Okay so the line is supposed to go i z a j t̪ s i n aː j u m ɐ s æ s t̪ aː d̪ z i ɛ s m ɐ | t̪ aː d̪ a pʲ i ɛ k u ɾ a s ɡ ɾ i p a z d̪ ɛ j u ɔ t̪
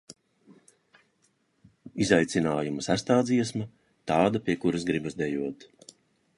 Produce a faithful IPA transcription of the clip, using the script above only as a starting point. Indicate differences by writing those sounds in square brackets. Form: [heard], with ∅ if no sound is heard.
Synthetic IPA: i z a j t̪ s i n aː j u m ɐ s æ s t̪ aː d̪ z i ɛ s m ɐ | t̪ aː d̪ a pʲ i ɛ k u ɾ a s ɡ ɾ i [b] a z d̪ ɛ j u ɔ t̪